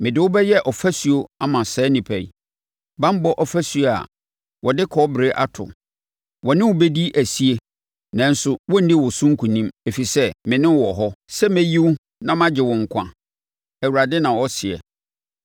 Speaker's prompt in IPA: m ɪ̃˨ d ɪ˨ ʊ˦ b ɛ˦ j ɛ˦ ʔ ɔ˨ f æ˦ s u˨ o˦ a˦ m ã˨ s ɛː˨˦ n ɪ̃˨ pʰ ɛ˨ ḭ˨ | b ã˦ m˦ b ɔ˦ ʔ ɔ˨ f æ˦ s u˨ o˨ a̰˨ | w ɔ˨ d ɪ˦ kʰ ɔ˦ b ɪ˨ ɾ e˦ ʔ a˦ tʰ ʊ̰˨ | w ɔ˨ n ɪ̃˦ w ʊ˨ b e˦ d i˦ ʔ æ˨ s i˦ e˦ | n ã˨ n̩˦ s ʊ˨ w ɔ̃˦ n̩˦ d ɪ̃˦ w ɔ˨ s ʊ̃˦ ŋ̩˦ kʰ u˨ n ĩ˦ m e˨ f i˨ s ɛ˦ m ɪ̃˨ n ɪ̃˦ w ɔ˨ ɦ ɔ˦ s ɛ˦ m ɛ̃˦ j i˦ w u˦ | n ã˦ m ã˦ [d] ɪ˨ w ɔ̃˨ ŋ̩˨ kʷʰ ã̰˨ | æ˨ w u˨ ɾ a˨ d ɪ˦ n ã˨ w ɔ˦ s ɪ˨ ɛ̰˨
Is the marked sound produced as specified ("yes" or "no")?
no